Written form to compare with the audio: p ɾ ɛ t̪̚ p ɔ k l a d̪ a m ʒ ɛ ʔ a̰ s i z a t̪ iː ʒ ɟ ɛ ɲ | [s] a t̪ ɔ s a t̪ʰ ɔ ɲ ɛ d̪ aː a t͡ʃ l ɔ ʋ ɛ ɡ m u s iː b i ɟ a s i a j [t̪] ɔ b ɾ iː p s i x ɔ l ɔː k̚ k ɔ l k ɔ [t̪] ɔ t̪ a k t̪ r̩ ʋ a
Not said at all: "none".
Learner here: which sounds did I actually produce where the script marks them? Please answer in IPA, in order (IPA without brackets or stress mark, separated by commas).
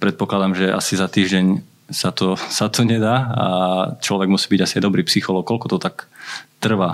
s, d̪, t̪